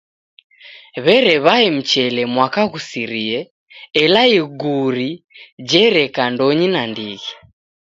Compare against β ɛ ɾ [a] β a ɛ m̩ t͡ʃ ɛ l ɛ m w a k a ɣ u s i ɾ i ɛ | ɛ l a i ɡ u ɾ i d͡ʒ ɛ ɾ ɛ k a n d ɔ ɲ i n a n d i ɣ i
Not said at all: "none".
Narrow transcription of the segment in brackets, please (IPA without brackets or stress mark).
ɛ